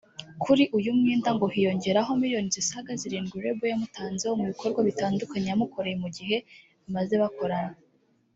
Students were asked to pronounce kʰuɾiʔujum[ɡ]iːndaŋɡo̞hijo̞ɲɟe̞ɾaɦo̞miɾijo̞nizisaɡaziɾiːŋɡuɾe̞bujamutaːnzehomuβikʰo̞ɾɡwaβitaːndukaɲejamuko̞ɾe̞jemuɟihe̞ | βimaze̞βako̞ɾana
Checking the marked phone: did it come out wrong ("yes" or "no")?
yes